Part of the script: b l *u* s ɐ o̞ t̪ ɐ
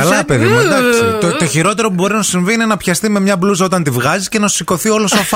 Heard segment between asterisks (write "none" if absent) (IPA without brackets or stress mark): u